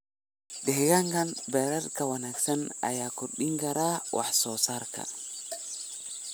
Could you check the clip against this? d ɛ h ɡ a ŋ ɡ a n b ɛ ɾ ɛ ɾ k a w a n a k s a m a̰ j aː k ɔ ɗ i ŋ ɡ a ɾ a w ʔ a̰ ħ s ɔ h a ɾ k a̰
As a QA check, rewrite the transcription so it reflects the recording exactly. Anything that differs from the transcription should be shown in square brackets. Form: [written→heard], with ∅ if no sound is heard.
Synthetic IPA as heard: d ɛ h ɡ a ŋ ɡ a n b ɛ ɾ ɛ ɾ k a w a n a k s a [m→n] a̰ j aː k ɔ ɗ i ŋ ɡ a ɾ a w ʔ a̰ ħ s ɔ [h→s] a ɾ k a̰